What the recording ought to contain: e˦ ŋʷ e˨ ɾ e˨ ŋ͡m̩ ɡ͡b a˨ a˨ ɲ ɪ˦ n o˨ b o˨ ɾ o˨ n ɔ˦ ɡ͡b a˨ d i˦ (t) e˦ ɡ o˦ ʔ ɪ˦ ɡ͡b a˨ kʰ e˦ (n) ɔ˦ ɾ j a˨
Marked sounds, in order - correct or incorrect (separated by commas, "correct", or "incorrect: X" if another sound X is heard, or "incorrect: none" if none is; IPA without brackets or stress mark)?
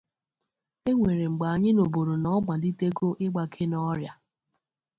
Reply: correct, correct